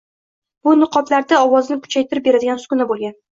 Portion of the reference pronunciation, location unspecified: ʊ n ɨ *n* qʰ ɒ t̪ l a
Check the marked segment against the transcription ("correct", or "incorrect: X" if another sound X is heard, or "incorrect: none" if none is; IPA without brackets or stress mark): incorrect: none